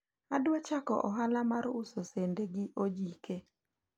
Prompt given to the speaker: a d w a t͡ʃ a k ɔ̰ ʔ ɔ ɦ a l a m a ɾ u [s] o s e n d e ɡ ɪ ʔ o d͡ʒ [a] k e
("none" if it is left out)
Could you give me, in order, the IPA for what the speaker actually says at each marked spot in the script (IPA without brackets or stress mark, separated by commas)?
s, i